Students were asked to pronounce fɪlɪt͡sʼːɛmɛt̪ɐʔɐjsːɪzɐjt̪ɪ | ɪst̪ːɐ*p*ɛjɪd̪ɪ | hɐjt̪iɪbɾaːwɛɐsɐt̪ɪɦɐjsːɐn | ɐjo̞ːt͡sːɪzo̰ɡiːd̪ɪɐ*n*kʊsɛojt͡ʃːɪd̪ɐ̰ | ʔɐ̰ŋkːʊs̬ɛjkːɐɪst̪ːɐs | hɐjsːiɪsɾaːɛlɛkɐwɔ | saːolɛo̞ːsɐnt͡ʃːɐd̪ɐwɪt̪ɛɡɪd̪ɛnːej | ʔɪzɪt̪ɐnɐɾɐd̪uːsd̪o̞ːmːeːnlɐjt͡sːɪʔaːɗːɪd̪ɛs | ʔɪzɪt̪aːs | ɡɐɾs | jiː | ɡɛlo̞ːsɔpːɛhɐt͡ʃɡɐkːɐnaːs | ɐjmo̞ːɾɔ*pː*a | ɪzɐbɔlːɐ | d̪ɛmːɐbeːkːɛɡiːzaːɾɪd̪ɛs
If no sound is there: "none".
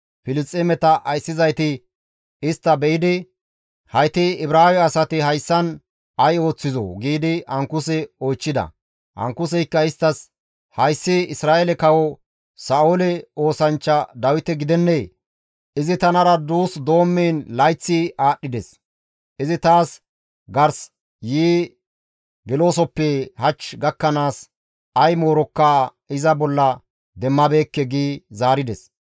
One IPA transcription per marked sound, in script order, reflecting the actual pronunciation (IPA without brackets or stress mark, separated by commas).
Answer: b, ŋ, kː